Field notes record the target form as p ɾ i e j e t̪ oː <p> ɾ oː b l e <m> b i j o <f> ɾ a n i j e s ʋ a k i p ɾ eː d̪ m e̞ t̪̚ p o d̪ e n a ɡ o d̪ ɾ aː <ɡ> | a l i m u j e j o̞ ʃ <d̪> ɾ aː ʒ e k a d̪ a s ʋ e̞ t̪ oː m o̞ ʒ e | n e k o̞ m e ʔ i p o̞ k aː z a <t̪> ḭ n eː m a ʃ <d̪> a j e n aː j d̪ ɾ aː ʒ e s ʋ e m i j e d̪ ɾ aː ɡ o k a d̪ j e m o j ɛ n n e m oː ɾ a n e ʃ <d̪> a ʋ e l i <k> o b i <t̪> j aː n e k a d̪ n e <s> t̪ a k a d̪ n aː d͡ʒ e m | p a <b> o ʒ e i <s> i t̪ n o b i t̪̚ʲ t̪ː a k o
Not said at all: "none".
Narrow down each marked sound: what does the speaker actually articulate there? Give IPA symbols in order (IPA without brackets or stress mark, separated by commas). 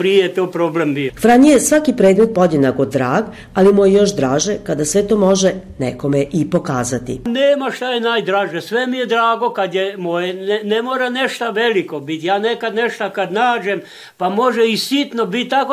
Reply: p, m, f, ɡ, d̪, t̪, t̪, t̪, k, t̪, ʃ, m, s